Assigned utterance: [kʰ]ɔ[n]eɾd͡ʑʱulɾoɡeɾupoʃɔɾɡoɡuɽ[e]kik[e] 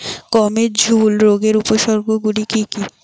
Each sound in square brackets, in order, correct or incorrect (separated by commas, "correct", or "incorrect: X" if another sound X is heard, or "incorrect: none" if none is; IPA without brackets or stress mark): incorrect: k, incorrect: m, incorrect: i, incorrect: i